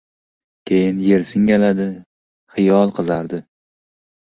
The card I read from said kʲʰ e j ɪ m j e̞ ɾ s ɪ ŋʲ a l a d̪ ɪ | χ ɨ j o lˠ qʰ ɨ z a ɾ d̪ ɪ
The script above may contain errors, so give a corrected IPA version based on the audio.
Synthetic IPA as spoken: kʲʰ e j ɪ n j e̞ ɾ s ɪ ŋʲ a l a d̪ ɪ | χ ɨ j ɒ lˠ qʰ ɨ z a ɾ d̪ ɪ